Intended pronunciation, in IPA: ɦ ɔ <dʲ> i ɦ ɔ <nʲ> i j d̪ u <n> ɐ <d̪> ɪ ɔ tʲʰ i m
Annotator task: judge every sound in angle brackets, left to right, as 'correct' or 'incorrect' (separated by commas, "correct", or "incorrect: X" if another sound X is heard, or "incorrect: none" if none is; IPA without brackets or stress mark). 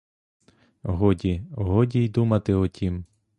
correct, incorrect: dʲ, incorrect: m, incorrect: t̪